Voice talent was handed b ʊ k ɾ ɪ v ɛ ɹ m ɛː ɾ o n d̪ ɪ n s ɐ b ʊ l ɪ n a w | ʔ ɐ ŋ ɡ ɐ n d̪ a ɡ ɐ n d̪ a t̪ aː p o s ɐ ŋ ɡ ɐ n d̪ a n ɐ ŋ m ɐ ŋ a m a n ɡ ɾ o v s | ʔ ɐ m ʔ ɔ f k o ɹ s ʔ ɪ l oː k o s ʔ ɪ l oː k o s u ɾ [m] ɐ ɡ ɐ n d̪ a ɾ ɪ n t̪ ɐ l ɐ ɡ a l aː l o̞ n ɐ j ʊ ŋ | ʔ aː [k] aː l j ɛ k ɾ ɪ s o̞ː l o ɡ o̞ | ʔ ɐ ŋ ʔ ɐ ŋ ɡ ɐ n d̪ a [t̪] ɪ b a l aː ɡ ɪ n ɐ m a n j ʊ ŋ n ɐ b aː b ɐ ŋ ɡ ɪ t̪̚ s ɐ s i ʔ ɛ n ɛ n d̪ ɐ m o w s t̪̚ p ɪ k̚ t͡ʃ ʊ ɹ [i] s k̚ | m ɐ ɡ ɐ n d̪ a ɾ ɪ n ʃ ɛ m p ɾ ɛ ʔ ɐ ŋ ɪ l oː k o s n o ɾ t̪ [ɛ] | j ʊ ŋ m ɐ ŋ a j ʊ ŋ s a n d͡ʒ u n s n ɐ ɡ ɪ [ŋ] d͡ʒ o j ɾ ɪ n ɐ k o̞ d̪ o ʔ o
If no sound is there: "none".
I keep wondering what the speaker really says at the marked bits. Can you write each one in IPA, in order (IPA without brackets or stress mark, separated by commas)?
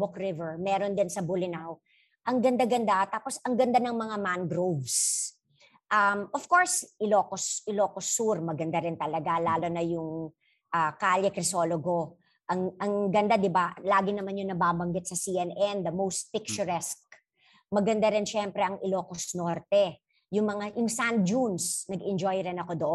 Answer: m, k, d̪, ɛ, ɛ, n